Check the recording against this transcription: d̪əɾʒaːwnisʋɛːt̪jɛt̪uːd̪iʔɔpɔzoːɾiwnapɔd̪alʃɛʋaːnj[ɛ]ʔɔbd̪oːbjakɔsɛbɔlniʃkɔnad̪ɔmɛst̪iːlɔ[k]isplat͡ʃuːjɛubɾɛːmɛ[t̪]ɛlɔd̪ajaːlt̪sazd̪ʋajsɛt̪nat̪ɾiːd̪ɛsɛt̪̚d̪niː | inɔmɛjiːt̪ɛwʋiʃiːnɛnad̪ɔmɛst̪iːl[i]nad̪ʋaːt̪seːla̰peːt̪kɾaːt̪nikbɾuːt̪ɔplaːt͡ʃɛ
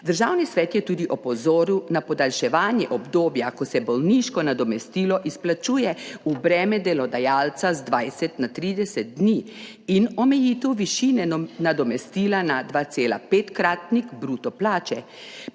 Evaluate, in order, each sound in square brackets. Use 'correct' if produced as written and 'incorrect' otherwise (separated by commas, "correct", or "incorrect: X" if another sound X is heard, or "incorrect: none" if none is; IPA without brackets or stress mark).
correct, incorrect: ʔ, incorrect: d̪, incorrect: a